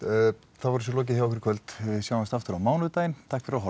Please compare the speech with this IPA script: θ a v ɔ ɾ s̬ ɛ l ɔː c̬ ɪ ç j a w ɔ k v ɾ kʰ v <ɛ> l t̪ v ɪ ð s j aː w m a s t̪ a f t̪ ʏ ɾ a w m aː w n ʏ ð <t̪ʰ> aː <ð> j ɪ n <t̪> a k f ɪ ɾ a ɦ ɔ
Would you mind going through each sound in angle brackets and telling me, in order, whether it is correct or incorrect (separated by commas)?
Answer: incorrect, incorrect, incorrect, incorrect